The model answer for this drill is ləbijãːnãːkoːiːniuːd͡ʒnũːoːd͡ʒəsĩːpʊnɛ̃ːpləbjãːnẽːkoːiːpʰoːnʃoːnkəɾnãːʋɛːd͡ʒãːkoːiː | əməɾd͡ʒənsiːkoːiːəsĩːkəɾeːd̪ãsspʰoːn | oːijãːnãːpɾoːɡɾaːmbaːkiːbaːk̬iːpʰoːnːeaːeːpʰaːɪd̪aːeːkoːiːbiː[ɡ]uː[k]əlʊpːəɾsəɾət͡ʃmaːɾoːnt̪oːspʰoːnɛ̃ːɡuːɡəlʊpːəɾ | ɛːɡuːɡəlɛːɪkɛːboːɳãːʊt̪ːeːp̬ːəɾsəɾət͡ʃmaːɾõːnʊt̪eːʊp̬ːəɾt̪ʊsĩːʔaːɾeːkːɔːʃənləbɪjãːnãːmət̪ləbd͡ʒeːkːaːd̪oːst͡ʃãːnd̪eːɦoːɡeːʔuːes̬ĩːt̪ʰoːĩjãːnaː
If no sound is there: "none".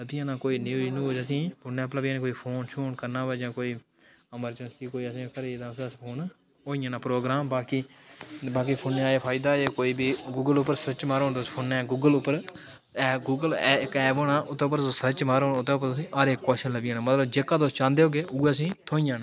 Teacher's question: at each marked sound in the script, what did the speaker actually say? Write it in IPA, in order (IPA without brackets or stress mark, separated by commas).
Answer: ɡ, ɡ